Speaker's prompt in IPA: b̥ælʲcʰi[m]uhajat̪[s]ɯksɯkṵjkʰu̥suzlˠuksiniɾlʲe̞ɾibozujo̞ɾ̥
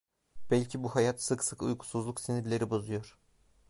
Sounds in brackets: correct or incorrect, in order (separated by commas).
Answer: incorrect, correct